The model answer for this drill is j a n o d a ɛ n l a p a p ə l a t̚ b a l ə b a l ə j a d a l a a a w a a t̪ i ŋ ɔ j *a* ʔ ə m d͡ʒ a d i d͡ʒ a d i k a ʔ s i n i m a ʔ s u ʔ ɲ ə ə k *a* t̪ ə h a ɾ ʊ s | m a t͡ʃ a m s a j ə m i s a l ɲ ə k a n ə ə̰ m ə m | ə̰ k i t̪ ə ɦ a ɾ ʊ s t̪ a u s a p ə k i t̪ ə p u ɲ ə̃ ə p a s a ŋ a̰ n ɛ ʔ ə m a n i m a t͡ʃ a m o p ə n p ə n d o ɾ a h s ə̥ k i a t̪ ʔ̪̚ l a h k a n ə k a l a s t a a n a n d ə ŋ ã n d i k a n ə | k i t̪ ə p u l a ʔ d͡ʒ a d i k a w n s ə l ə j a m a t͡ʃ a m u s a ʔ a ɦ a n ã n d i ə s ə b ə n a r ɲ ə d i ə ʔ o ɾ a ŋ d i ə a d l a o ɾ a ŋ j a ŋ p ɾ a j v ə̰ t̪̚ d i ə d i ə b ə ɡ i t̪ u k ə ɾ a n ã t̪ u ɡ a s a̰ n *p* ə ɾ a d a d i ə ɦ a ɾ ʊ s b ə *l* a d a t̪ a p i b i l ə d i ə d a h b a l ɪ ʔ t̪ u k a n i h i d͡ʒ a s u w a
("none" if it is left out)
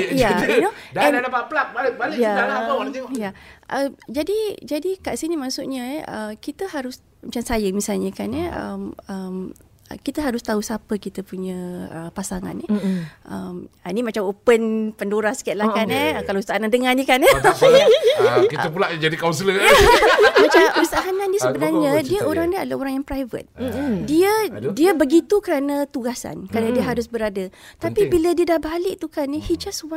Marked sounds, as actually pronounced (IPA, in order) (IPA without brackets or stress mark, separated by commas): a, i, k, ɾ